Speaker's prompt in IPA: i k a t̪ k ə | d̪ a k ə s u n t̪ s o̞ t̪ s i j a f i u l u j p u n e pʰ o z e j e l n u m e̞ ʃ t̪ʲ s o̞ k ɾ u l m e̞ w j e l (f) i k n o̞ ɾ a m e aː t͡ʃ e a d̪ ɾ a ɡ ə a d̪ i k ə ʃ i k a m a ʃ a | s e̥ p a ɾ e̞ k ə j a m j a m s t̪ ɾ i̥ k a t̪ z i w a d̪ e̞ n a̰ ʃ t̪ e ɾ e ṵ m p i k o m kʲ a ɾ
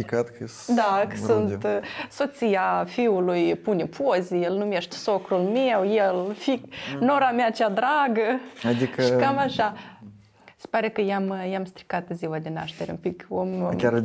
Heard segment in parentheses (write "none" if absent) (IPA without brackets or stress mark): f